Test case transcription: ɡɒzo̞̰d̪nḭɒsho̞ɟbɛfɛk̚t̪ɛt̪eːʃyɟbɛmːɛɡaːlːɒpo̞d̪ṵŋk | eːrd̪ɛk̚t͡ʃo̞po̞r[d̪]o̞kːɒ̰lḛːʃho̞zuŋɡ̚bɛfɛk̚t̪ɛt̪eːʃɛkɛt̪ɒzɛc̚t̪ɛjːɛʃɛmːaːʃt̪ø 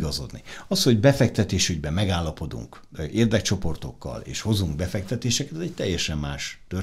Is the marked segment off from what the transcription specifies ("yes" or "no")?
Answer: yes